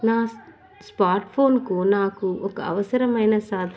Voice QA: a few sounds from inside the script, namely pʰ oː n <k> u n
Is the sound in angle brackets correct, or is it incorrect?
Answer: correct